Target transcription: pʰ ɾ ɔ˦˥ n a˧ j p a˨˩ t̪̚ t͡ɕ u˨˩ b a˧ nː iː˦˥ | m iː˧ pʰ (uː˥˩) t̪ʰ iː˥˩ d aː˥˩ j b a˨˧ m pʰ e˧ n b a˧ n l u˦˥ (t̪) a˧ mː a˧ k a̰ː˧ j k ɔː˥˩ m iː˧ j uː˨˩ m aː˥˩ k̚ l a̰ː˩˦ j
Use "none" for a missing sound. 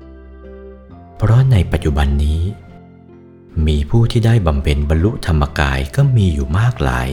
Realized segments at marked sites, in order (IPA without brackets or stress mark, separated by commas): uː˥˩, t̪ʰ